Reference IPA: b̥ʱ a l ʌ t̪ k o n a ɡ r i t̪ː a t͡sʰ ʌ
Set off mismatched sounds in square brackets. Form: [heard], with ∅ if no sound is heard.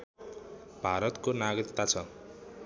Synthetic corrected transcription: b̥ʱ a [ɾ] ʌ t̪ k o n a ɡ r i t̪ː a t͡sʰ ʌ